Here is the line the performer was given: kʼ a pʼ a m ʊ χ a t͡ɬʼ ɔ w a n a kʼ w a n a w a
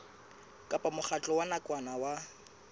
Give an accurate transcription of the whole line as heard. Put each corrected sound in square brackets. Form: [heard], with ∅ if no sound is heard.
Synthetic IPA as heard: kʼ a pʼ a m ʊ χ a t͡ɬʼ ɔ w a n a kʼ w a n a w a